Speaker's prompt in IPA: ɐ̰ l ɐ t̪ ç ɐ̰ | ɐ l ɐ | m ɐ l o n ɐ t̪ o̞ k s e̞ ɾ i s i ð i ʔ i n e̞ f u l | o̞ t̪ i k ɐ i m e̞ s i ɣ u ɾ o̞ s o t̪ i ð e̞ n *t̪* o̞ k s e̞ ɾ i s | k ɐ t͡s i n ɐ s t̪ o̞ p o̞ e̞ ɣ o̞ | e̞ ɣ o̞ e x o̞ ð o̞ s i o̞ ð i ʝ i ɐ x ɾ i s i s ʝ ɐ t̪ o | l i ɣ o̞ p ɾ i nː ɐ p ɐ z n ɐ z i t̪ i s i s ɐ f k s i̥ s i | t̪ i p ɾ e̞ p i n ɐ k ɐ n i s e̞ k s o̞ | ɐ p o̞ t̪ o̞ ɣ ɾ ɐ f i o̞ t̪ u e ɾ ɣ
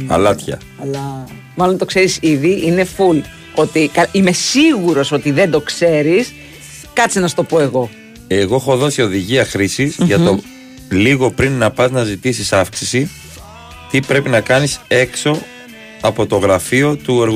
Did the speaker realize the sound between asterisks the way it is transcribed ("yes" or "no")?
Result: no